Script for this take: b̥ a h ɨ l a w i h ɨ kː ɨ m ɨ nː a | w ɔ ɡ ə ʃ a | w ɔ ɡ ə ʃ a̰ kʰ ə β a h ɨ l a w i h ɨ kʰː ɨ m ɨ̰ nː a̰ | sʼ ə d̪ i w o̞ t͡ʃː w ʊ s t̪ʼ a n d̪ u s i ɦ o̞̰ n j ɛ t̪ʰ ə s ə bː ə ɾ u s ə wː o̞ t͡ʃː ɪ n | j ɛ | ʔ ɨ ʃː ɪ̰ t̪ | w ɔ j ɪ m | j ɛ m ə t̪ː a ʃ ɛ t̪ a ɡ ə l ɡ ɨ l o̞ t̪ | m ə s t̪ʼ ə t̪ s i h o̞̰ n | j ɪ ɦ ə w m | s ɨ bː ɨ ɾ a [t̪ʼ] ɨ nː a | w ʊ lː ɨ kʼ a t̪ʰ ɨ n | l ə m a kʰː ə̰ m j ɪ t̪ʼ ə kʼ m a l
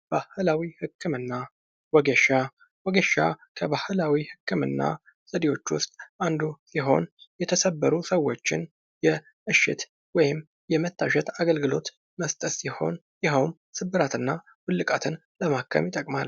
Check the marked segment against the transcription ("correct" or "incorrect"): incorrect